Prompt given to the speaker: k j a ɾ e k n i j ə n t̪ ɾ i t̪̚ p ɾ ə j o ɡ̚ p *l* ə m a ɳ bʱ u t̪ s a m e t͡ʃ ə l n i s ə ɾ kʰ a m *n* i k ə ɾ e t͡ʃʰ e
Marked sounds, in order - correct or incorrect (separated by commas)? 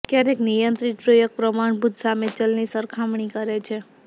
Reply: incorrect, incorrect